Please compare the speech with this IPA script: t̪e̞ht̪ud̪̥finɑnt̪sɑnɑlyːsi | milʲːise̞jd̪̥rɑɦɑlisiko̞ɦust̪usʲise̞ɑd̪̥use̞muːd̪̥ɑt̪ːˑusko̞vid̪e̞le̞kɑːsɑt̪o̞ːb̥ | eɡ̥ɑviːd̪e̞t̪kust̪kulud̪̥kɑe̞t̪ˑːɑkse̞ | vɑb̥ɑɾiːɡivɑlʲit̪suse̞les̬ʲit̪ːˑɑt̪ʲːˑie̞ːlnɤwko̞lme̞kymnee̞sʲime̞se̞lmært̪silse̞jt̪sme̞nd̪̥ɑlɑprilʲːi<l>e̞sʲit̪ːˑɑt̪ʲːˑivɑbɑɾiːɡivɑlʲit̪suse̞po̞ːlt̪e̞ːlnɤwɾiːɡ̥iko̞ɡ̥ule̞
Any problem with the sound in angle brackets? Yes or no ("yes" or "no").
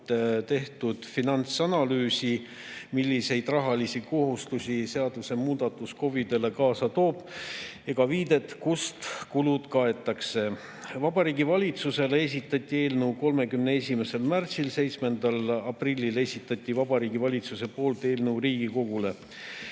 no